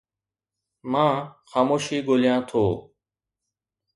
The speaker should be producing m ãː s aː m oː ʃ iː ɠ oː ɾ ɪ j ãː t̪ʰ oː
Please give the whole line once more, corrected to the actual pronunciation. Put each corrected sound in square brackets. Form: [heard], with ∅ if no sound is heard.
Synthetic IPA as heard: m ãː [x] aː m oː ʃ iː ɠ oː [l] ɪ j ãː t̪ʰ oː